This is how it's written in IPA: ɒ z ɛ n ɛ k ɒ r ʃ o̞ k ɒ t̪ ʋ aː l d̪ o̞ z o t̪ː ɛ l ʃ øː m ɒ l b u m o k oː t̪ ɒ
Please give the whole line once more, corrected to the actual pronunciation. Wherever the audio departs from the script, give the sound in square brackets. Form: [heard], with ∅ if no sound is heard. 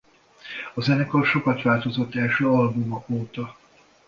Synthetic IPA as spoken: ɒ z ɛ n ɛ k [o] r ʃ o̞ k ɒ t̪ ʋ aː l [t̪] o̞ z o t̪ː ɛ l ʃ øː [∅] ɒ l b u m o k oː t̪ ɒ